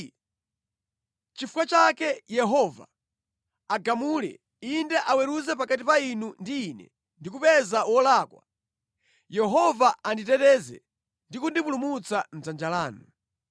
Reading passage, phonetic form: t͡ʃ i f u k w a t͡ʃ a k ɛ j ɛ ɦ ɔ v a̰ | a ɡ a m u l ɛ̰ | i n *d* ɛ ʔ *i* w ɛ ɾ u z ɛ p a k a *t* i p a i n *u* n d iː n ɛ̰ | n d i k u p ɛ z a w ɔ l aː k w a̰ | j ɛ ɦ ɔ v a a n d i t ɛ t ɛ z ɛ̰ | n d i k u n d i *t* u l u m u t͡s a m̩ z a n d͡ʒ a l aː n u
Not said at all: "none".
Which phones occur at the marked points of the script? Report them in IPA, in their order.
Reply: d, a, t, u, p

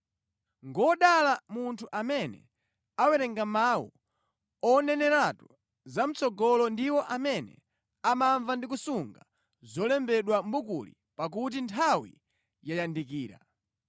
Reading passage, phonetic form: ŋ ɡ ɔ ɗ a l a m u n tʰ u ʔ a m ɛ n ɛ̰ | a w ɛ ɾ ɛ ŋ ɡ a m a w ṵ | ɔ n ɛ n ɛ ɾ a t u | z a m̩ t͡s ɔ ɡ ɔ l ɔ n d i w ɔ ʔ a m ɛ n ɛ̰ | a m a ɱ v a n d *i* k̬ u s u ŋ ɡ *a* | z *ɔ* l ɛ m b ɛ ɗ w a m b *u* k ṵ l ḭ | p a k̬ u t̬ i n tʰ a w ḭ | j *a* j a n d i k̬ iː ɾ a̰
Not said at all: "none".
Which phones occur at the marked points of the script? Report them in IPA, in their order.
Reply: i, a, ɔ, u, a

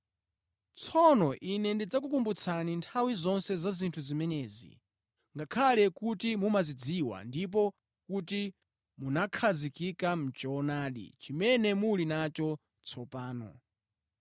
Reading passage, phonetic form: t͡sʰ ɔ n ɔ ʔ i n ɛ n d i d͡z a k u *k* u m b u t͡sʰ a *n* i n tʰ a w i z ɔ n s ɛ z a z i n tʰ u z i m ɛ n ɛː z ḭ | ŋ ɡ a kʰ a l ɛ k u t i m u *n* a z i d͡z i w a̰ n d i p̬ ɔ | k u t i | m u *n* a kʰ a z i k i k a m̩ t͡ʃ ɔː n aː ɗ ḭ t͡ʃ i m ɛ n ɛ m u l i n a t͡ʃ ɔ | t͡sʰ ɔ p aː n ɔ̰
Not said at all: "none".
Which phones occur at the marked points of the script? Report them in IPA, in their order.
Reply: k, n, m, n

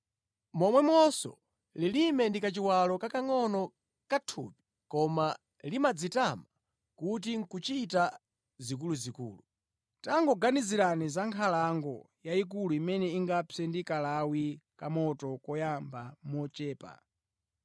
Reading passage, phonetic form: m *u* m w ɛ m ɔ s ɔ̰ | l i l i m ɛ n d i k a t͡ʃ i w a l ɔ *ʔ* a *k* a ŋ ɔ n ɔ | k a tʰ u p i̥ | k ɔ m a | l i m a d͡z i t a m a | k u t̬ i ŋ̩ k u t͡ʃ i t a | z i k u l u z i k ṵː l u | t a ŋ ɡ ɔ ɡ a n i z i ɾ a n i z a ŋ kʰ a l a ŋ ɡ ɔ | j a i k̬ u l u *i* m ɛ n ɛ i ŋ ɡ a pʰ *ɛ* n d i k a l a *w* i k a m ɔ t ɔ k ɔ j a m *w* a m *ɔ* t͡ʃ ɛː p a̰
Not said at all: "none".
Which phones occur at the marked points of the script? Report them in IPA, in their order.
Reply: ɔ, k, k, i, ɛ, w, b, ɔ

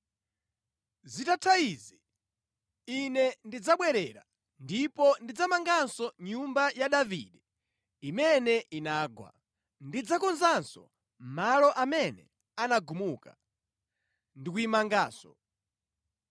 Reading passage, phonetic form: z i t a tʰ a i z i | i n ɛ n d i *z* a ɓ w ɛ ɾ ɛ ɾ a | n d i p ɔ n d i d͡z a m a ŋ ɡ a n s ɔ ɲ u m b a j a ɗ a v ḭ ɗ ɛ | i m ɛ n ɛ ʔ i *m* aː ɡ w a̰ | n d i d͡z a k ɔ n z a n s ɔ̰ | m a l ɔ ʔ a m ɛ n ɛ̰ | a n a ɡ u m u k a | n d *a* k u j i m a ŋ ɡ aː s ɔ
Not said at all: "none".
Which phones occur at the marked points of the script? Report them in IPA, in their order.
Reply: d͡z, n, i

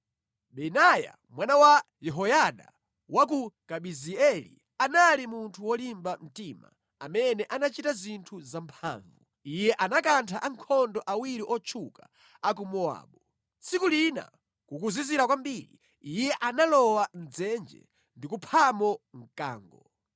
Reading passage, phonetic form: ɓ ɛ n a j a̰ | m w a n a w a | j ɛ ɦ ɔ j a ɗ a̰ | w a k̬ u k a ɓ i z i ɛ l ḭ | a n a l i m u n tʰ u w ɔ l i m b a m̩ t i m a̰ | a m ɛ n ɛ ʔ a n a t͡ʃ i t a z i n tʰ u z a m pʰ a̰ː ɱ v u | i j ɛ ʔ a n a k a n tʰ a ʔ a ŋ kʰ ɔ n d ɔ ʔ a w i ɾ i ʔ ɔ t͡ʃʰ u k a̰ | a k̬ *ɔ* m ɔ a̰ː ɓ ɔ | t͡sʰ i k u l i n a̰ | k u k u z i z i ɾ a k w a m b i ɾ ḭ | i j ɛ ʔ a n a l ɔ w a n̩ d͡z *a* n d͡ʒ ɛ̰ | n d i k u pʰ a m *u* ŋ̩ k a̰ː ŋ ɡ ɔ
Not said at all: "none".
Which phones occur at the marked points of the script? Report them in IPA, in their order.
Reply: u, ɛ, ɔ

